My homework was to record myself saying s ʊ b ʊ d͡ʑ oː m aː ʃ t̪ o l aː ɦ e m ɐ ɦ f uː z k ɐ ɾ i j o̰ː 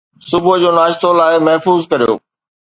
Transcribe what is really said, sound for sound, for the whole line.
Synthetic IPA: s ʊ b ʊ d͡ʑ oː n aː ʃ t̪ o l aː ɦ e m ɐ ɦ f uː z k ɐ ɾ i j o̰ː